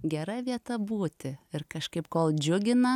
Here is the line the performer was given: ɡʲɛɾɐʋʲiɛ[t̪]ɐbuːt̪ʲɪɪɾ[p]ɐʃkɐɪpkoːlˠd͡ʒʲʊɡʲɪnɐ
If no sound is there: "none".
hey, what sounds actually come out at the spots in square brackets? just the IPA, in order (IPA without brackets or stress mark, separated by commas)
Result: t̪, k